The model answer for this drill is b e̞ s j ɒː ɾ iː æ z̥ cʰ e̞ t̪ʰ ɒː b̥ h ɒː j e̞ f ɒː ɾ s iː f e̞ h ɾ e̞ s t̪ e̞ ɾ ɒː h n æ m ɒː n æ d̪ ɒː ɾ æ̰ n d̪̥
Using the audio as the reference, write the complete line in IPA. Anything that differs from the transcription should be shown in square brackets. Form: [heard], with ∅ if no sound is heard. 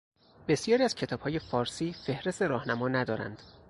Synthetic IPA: b e̞ s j ɒː ɾ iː æ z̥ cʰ e̞ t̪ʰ ɒː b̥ h ɒː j e̞ f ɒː ɾ s iː f e̞ h ɾ e̞ s t̪ e̞ ɾ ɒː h n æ m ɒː n æ d̪ ɒː ɾ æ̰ n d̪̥